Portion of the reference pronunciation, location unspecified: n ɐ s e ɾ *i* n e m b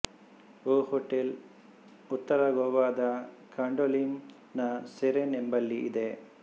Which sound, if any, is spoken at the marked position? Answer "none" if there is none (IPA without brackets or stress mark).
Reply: e